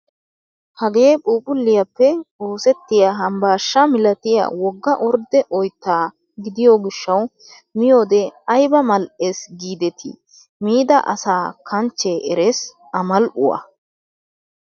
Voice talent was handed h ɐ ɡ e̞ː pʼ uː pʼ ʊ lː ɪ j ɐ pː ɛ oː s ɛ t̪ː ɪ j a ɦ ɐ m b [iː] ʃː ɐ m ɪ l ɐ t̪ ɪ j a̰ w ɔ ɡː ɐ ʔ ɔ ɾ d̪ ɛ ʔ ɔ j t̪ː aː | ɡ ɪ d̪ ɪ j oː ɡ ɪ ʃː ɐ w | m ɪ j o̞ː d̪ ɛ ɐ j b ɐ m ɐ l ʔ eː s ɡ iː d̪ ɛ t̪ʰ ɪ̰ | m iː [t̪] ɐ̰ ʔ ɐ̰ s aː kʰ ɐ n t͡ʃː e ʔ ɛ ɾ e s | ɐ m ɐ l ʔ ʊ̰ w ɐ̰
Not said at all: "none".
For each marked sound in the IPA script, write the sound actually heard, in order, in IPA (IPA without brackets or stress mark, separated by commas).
aː, d̪